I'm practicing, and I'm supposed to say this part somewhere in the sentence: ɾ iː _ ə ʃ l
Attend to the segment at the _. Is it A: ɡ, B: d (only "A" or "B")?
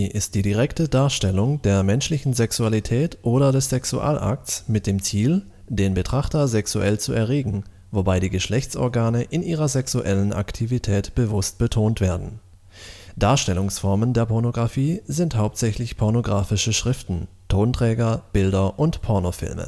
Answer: A